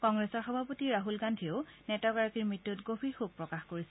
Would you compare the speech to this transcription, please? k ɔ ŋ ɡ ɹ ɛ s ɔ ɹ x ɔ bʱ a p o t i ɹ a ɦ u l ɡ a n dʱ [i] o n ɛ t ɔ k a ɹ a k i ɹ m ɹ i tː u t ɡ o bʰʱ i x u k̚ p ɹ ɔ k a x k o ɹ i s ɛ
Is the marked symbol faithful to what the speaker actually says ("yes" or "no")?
yes